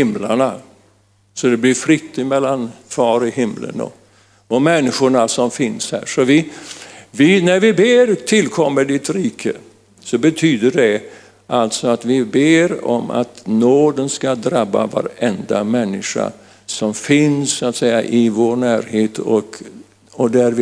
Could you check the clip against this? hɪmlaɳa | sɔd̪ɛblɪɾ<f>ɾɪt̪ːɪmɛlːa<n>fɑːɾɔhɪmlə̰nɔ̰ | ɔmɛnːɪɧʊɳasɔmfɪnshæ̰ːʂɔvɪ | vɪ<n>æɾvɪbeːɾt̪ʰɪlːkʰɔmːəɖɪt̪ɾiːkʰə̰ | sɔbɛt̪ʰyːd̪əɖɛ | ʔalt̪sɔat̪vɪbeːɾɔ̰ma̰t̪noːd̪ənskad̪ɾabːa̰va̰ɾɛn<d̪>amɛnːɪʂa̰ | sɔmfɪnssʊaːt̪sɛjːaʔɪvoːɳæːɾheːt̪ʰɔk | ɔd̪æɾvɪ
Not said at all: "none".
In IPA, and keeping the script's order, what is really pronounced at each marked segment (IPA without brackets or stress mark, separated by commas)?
f, n, n, d̪